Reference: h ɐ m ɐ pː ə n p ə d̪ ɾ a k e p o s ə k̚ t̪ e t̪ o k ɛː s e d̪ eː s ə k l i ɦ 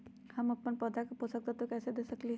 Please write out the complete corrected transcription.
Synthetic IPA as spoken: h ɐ m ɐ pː ə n p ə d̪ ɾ a k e p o s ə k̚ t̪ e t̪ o k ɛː s e d̪ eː s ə k l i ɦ